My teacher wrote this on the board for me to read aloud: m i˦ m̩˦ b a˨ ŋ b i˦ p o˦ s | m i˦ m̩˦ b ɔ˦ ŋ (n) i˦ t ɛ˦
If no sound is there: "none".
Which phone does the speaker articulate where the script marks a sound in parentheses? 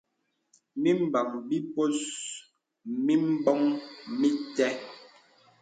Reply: m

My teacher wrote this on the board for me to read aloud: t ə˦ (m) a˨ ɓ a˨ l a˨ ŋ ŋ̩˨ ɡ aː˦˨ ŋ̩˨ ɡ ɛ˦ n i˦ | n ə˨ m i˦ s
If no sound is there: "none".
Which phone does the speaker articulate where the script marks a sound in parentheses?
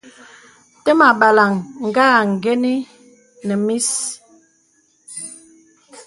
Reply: m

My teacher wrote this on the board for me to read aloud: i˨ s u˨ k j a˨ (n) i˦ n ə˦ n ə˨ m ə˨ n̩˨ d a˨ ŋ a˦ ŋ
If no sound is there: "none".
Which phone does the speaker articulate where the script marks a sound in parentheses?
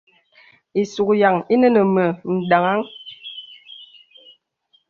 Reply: ŋ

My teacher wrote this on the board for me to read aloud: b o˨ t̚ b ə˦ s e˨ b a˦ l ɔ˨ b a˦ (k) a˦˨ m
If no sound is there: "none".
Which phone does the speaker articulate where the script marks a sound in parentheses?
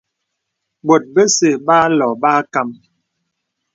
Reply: k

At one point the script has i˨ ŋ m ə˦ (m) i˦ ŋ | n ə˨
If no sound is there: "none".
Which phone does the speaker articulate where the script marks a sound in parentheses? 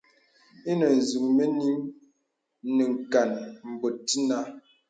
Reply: n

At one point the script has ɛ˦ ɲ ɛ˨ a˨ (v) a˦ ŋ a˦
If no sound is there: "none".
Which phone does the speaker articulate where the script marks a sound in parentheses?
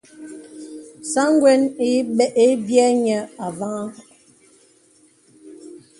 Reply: v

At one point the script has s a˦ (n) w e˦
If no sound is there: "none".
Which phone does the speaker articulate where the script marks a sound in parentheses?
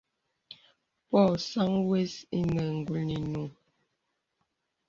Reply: ŋ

